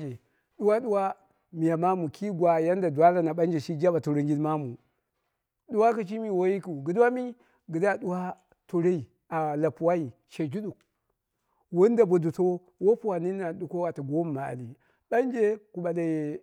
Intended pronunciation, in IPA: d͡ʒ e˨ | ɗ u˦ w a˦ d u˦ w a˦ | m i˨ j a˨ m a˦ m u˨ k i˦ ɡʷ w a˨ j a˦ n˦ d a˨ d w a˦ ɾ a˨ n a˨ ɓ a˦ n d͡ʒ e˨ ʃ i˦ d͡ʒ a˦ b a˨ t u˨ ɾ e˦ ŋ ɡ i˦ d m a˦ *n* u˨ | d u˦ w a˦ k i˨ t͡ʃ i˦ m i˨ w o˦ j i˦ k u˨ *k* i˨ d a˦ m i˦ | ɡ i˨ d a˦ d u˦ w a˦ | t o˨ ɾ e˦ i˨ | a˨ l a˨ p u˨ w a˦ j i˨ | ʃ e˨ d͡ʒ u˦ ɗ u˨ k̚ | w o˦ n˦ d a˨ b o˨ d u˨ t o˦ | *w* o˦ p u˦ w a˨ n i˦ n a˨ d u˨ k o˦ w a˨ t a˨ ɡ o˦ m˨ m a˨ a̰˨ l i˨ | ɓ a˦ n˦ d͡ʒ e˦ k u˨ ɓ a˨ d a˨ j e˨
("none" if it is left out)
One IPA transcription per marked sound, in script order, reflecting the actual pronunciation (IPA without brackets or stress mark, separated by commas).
m, ɡ, w